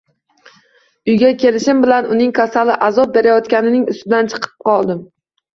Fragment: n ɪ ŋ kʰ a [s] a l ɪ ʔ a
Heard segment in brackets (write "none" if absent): s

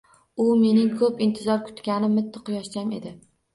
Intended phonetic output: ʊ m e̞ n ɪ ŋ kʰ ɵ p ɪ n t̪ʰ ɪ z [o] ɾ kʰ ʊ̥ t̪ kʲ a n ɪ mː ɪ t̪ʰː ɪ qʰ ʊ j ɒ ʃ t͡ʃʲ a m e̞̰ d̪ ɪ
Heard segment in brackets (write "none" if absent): ɒ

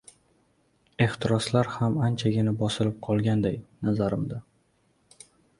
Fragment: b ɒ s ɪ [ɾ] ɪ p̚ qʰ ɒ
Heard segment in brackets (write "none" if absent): l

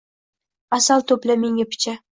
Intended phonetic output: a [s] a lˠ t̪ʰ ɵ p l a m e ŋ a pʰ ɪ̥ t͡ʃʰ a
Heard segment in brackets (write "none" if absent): s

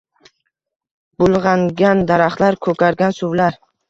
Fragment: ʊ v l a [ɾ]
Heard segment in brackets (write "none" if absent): ɾ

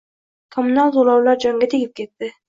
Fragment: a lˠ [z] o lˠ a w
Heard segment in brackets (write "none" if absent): z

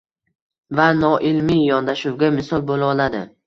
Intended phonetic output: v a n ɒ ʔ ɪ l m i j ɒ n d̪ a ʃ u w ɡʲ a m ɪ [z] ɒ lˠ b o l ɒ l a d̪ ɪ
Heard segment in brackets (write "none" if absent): s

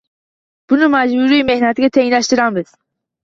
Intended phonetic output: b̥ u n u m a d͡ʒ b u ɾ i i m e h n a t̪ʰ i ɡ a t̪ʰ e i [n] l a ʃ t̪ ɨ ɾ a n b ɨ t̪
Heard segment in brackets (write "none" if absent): n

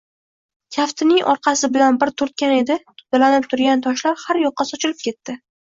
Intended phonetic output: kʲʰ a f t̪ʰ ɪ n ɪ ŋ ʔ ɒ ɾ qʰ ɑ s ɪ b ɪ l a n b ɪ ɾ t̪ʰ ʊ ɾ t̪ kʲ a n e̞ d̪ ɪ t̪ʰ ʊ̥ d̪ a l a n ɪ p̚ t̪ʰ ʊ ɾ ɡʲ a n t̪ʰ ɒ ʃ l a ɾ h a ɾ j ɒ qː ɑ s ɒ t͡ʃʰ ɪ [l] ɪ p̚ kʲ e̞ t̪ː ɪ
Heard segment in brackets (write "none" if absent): l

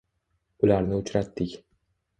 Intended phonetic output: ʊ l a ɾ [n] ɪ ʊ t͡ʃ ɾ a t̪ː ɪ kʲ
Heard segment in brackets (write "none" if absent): n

